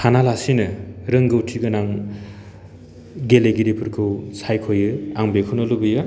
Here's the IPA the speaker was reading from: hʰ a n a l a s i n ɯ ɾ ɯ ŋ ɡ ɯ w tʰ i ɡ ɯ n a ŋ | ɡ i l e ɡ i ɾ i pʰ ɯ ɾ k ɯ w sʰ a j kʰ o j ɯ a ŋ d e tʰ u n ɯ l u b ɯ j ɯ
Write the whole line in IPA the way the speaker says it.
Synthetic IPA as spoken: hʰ a n a l a s i n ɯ ɾ ɯ ŋ ɡ ɯ w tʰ i ɡ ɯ n a ŋ | ɡ e l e ɡ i ɾ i pʰ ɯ ɾ kʰ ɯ w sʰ a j kʰ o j ɯ a ŋ b e kʰ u n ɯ l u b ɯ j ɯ